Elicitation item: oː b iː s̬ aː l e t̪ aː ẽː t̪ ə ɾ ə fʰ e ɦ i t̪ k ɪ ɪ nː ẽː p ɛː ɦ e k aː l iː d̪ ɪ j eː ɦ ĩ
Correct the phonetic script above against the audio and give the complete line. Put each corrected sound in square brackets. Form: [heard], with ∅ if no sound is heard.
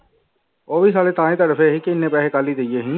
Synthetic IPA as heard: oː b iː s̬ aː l e t̪ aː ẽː t̪ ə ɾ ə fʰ e ɦ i [∅] k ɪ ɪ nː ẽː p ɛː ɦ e k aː l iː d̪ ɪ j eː ɦ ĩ